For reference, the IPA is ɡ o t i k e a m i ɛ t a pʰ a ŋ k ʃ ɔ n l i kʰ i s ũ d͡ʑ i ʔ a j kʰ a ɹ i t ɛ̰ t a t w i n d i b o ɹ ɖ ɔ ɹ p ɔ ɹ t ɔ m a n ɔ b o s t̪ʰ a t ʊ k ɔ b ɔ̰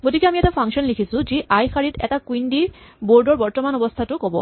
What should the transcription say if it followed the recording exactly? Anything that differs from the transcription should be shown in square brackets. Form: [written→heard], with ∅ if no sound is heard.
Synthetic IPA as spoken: ɡ o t i k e a m i ɛ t a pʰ a ŋ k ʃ ɔ n l i kʰ i s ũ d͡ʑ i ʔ a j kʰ a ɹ i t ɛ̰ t a [t→k] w i n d i b o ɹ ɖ ɔ ɹ [p→b] ɔ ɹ t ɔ m a n ɔ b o s t̪ʰ a t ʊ k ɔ b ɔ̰